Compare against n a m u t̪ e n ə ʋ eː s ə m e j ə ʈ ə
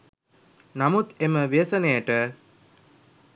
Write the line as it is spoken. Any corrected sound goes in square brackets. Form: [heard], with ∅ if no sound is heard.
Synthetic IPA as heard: n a m u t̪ e [m] ə ʋ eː s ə [n] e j ə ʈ ə